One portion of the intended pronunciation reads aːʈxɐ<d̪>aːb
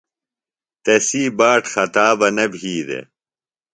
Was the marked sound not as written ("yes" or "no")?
yes